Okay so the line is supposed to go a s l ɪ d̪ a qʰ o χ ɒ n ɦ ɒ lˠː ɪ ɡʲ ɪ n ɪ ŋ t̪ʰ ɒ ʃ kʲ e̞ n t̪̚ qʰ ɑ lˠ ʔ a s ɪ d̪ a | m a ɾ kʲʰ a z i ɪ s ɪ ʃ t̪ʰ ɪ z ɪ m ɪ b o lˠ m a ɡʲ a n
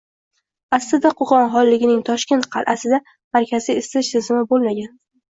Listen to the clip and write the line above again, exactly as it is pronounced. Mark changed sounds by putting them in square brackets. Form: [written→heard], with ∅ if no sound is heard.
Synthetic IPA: a s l ɪ d̪ a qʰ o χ ɒ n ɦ ɒ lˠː ɪ ɡʲ ɪ n ɪ ŋ t̪ʰ ɒ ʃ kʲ e̞ n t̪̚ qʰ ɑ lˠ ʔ a s ɪ d̪ a | m a ɾ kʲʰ a z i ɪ s ɪ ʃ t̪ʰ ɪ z ɪ m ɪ b o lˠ m a ɡʲ a n